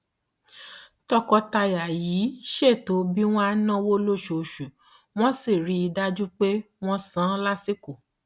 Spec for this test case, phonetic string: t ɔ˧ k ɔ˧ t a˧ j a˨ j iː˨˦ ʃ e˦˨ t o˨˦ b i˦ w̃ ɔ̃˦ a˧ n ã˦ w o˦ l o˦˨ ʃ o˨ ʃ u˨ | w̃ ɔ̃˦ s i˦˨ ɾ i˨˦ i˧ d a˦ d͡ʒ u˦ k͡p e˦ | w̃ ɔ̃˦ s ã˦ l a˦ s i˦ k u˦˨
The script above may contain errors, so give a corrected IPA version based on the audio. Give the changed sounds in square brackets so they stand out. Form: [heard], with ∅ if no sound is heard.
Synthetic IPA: t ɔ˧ k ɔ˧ t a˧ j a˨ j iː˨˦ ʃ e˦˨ t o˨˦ b i˦ w̃ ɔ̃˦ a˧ n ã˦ w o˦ l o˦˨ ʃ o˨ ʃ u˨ | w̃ ɔ̃˦ s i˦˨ ɾ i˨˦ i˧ d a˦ d͡ʒ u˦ k͡p e˦ | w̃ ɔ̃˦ s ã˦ l a˦ s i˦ k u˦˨